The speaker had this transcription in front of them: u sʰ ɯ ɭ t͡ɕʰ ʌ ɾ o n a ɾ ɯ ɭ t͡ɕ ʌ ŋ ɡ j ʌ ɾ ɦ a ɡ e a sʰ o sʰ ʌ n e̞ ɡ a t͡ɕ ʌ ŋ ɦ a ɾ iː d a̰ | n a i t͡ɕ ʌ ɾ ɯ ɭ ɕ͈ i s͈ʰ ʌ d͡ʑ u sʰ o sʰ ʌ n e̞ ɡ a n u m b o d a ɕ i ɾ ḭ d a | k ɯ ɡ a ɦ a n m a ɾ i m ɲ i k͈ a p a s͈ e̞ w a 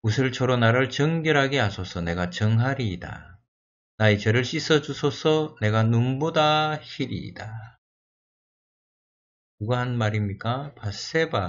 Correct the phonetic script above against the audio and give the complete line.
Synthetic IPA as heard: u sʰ ɯ ɭ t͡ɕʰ ʌ ɾ o n a ɾ ɯ ɭ t͡ɕ ʌ ŋ ɡ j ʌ ɾ ɦ a ɡ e a sʰ o sʰ ʌ n e̞ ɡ a t͡ɕ ʌ ŋ ɦ a ɾ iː d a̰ | n a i t͡ɕ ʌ ɾ ɯ ɭ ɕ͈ i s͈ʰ ʌ d͡ʑ u sʰ o sʰ ʌ n e̞ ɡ a n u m b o d a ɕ i ɾ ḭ d a | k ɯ ɡ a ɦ a n m a ɾ i m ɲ i k͈ a p a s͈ e̞ b a